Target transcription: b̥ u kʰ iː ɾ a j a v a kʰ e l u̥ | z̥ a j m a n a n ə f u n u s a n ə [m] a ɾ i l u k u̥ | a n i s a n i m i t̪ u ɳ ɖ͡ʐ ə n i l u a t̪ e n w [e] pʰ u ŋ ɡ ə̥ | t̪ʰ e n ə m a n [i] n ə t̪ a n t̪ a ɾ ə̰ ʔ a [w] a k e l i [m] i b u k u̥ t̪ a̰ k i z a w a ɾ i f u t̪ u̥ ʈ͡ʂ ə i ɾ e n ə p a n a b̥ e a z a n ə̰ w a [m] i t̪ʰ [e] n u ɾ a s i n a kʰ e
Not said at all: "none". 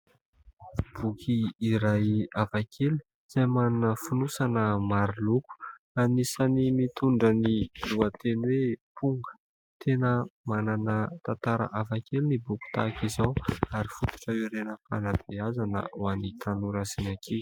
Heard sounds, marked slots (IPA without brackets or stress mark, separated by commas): m, e, a, v, n, n, a